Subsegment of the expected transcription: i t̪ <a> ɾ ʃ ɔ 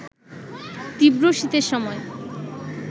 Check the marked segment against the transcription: incorrect: e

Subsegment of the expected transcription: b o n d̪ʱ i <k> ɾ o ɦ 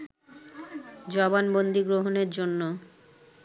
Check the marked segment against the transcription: incorrect: ɡ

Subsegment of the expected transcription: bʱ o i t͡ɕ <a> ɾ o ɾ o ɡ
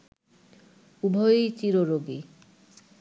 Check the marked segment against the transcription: incorrect: i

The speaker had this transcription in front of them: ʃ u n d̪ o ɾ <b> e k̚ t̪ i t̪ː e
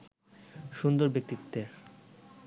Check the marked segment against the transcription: correct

